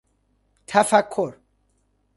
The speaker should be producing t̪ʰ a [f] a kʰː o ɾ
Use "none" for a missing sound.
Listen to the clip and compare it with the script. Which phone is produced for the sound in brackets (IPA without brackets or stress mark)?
f